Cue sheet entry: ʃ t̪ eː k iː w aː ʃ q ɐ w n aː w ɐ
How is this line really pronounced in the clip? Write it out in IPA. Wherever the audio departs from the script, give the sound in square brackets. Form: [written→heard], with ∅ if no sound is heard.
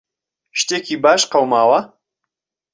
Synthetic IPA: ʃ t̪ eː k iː [w→b] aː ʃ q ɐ w [n→m] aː w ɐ